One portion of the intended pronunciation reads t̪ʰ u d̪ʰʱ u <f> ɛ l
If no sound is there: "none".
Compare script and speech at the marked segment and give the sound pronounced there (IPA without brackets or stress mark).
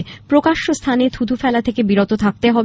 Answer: f